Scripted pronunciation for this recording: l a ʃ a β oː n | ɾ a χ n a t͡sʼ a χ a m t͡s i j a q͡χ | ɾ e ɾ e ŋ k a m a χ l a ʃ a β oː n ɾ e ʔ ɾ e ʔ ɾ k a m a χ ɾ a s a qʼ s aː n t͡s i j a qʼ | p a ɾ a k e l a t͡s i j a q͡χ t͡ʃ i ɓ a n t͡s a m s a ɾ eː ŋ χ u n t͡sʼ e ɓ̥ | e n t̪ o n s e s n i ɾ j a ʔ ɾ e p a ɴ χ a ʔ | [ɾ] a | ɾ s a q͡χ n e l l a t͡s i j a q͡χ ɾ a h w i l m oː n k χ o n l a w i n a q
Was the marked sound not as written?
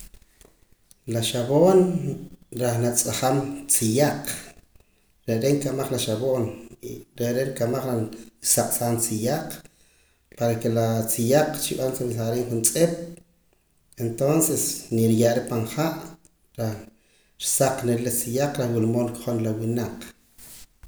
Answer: no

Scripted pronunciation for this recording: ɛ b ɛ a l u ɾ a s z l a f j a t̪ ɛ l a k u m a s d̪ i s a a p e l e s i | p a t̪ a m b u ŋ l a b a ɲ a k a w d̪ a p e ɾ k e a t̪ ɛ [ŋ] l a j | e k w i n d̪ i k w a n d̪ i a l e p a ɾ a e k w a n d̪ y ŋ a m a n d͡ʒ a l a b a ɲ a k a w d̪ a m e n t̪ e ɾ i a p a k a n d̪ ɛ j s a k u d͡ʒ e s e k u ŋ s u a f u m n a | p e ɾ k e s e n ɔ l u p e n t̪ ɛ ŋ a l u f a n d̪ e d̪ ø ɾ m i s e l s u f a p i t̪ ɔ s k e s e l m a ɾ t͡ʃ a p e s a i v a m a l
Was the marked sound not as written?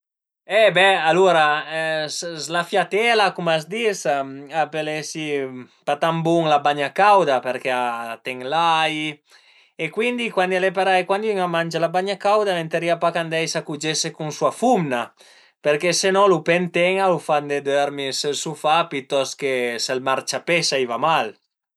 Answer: no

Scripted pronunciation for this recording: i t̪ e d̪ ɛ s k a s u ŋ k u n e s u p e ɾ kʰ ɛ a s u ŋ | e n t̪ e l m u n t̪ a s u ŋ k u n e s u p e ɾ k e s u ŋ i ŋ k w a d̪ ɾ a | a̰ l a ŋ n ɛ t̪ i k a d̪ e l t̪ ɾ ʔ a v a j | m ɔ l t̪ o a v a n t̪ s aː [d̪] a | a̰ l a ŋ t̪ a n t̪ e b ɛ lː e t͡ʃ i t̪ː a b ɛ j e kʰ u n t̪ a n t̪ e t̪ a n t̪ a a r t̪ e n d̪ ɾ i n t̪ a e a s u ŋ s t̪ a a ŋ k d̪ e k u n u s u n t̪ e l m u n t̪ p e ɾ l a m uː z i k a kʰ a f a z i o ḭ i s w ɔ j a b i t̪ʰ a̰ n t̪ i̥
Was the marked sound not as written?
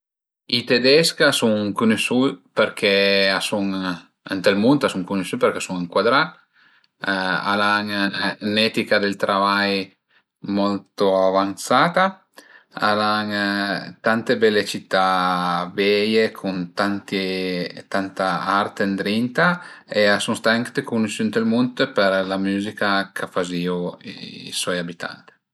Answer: yes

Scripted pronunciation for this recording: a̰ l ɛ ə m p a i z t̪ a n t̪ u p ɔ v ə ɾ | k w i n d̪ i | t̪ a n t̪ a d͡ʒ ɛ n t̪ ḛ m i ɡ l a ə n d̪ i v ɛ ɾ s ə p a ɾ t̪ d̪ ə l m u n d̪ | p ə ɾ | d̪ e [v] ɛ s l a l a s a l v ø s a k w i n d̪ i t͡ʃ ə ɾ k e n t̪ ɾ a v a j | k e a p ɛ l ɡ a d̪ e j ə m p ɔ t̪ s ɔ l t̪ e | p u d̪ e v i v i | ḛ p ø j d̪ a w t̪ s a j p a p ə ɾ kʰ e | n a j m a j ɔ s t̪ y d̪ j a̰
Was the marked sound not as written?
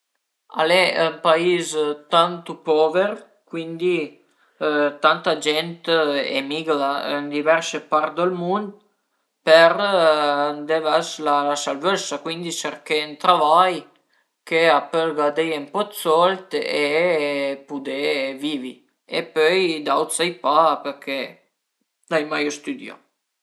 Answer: no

